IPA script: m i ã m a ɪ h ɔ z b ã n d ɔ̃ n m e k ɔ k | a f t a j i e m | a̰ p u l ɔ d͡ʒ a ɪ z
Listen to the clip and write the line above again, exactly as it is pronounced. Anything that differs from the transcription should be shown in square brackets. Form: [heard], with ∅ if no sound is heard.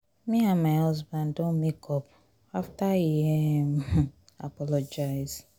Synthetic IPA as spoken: m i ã m a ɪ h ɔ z b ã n d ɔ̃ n m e k ɔ [p] | a f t a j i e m | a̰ p [ɔ] l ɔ d͡ʒ a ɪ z